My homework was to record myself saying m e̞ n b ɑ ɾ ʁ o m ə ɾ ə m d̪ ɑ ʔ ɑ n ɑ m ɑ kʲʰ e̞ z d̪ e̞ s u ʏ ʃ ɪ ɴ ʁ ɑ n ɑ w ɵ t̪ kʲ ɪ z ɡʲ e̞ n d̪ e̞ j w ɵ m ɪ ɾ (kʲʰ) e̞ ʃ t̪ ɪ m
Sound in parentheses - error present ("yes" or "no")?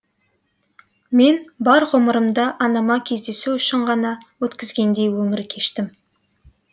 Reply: no